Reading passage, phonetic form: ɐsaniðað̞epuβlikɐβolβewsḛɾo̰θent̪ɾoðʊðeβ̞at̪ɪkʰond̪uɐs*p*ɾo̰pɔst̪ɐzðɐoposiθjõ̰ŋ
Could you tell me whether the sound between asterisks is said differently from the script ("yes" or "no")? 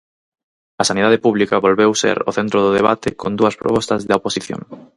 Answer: no